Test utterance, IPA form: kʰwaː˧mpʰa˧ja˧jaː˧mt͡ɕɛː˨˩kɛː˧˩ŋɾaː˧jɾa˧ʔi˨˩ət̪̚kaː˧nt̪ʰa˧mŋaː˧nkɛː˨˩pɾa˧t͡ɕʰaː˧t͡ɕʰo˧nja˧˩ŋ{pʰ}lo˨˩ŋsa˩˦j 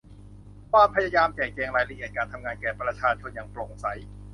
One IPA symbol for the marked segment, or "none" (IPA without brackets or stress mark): p